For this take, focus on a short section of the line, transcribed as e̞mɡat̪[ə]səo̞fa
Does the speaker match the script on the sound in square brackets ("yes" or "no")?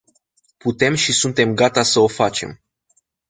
no